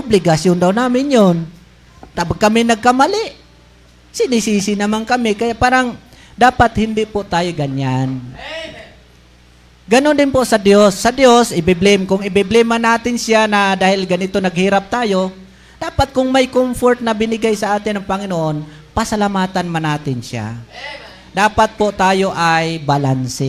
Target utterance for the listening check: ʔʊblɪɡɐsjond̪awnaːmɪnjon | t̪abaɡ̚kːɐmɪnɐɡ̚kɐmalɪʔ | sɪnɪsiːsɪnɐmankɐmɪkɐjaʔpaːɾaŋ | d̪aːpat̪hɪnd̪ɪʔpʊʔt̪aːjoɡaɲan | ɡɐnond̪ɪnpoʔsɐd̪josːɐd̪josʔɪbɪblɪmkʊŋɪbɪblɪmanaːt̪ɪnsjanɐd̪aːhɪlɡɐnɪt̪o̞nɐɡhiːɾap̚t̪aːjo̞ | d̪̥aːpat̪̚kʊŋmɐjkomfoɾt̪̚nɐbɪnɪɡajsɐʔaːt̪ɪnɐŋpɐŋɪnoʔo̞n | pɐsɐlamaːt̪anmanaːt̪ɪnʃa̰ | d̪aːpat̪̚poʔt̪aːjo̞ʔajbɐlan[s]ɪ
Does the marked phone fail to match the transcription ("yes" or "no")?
no